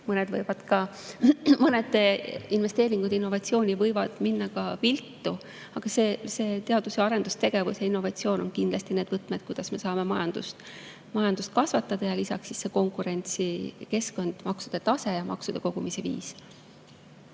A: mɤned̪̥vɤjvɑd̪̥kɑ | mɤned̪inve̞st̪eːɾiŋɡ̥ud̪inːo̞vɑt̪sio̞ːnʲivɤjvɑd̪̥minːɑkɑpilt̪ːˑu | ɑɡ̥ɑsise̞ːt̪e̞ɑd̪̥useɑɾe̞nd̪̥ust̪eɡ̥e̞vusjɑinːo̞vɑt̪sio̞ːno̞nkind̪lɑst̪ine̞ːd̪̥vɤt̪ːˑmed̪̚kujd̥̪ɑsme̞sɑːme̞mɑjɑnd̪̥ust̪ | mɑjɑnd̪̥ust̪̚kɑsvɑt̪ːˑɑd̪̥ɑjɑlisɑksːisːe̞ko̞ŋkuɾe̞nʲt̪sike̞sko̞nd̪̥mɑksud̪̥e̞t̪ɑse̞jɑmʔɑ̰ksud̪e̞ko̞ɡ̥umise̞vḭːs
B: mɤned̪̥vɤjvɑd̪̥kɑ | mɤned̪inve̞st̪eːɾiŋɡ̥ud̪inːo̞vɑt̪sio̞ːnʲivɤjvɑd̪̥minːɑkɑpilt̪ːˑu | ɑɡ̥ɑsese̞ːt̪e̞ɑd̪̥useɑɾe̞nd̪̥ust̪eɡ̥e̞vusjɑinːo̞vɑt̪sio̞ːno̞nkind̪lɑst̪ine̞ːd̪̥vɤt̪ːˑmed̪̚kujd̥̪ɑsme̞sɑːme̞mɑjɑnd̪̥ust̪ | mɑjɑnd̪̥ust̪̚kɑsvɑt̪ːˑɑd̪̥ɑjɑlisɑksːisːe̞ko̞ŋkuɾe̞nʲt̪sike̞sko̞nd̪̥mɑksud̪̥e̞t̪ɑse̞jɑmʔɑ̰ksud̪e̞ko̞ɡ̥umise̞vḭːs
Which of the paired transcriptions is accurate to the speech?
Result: B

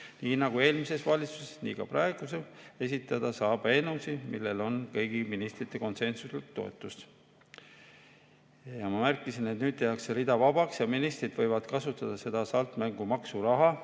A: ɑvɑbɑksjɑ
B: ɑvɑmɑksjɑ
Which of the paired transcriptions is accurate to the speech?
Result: A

